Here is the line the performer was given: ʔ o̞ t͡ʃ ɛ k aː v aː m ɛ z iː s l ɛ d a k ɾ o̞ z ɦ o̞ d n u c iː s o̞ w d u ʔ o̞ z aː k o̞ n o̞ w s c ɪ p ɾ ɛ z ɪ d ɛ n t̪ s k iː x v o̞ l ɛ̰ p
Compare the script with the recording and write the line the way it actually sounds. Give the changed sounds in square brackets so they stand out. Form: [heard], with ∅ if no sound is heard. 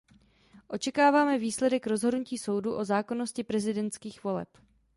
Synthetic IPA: ʔ o̞ t͡ʃ ɛ k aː v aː m ɛ [v] iː s l ɛ d [ɛ] k ɾ o̞ z ɦ o̞ d n u c iː s o̞ w d u ʔ o̞ z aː k o̞ n o̞ [∅] s c ɪ p ɾ ɛ z ɪ d ɛ n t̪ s k iː x v o̞ l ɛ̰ p